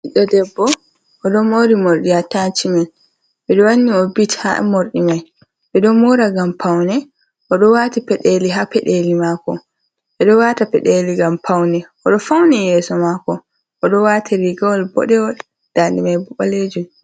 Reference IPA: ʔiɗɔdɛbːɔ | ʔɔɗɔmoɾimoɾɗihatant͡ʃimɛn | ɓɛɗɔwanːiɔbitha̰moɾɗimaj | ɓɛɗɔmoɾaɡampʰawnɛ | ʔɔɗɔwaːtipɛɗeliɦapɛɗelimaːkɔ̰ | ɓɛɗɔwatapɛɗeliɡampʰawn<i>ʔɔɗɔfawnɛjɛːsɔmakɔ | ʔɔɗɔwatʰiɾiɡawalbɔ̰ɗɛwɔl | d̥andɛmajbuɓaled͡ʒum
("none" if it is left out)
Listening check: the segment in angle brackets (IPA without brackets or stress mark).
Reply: ɛ